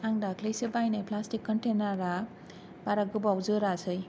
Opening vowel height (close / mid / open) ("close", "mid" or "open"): open